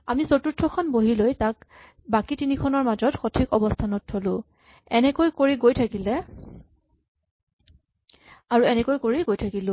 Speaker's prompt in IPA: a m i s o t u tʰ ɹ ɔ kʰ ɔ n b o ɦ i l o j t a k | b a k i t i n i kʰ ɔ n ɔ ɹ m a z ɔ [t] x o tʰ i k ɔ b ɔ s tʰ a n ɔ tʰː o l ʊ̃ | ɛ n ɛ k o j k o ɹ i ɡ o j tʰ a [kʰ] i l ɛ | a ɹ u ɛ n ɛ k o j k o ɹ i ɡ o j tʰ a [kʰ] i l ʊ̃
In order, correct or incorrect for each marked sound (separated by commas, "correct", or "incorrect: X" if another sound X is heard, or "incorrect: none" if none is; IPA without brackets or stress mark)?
correct, incorrect: k, incorrect: k